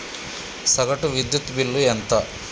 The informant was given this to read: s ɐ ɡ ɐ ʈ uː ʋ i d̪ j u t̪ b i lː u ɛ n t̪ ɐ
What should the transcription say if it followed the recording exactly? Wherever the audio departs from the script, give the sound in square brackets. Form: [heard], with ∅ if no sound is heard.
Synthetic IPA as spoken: s ɐ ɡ ɐ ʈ [u] ʋ i d̪ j u t̪ b i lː u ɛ n t̪ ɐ